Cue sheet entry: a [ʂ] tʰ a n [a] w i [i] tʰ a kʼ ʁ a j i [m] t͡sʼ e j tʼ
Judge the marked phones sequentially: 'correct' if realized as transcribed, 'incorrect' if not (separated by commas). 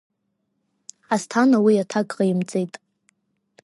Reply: incorrect, correct, incorrect, correct